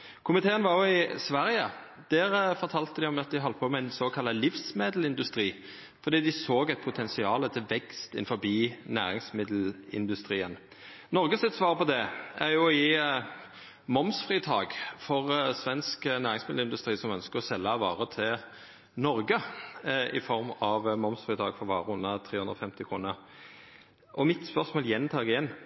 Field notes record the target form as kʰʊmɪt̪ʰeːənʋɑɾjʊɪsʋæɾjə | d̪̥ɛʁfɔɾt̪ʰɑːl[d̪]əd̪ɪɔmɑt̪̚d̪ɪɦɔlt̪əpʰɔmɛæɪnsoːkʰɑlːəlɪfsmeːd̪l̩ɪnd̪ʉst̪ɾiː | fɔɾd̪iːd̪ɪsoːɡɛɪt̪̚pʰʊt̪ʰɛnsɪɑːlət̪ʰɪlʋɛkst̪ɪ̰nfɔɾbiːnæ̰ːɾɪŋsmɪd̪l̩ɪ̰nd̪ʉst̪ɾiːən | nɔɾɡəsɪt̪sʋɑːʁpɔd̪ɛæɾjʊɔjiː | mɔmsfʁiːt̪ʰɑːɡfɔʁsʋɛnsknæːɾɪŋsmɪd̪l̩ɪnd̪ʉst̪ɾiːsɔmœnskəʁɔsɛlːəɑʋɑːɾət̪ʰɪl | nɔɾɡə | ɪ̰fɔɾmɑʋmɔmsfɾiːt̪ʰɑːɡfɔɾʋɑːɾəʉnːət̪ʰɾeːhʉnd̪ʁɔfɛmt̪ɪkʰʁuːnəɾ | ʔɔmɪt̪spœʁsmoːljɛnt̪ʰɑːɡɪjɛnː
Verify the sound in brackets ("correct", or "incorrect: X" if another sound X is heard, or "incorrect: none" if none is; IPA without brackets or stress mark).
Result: incorrect: t̪